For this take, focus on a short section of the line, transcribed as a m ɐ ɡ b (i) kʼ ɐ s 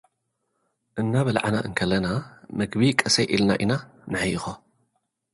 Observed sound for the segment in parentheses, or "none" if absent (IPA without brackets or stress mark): i